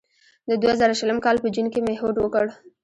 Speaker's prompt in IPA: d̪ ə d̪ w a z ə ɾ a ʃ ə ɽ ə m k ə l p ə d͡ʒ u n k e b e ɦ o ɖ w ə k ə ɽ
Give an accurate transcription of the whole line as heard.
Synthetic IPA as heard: d̪ ə d̪ w a z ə ɾ a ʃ ə l ə m k ɑ l p ə d͡ʒ u n k e m e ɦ o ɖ w ə k ə ɽ